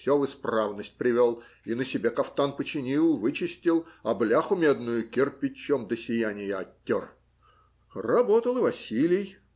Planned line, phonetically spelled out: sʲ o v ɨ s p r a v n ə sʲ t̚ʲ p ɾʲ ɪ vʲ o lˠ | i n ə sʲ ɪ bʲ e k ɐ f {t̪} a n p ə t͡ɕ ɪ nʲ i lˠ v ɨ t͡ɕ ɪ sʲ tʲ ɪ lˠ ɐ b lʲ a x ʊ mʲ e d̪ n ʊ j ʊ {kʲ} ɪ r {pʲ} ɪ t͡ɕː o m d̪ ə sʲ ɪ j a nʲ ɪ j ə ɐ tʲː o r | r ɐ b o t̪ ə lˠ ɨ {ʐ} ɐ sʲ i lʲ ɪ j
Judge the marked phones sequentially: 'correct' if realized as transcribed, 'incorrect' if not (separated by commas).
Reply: correct, correct, correct, incorrect